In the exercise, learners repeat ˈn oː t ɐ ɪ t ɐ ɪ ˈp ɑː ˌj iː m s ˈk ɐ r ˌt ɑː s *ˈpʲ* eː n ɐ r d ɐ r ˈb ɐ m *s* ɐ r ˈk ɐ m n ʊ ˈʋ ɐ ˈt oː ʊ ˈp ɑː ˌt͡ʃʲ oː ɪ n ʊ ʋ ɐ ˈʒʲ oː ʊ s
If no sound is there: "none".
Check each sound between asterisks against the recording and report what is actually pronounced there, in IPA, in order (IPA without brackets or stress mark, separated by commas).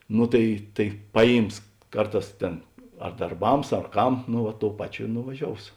tʲ, s